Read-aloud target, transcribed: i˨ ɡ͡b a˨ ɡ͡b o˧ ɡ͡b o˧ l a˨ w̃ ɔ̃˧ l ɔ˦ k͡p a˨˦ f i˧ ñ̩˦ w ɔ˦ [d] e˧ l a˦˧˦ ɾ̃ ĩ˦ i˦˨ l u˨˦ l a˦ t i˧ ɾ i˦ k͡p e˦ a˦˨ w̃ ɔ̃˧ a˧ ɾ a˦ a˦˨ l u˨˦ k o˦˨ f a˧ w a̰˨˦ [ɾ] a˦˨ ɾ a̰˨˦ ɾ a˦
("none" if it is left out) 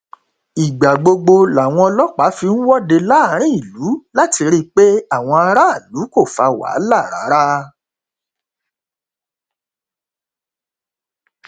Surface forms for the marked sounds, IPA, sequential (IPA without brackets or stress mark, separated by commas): d, l